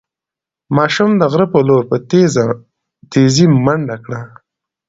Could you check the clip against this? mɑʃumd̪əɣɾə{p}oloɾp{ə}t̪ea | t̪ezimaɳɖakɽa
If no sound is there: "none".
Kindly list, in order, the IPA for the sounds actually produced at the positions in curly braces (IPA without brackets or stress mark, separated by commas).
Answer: p, ə